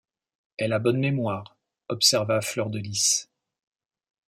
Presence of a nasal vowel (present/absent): absent